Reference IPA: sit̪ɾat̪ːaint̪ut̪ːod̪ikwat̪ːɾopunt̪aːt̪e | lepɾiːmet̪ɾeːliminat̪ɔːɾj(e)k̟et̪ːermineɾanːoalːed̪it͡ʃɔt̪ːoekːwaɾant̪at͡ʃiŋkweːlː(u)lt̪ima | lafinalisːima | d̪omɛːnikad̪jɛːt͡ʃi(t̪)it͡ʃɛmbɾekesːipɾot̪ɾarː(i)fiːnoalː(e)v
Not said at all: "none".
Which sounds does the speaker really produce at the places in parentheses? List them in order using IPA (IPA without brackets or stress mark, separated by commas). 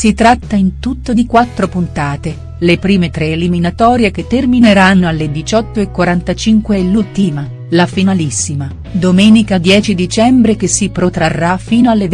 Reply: e, u, d̪, a, e